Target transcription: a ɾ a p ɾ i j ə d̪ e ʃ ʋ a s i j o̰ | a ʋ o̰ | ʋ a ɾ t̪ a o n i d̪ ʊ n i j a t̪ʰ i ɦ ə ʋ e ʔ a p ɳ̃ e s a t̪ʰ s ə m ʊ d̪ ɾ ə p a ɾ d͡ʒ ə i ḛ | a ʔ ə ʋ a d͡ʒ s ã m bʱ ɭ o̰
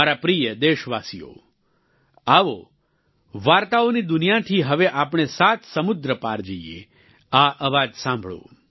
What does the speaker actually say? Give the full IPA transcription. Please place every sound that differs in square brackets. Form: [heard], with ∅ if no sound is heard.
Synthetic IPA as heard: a ɾ a p ɾ i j ə d̪ e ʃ ʋ a s i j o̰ | a ʋ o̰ | ʋ a ɾ t̪ a o n i d̪ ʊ n i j a t̪ʰ i ɦ ə ʋ e ʔ a p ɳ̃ e s a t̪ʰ s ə m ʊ d̪ ɾ ə p a ɾ d͡ʒ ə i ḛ | a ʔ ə ʋ a d͡ʒ s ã m bʱ ɭ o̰